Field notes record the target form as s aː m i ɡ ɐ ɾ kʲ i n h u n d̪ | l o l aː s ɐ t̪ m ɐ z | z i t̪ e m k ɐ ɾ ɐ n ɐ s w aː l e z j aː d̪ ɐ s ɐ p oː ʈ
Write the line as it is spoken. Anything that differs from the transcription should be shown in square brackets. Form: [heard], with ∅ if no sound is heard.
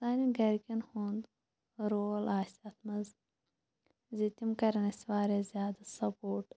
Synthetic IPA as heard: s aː [n] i ɡ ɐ ɾ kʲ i n h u n d̪ | [ɾ] o l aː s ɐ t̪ m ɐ z | z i t̪ [i] m k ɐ ɾ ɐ n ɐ s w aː [ɾ] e z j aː d̪ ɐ s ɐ p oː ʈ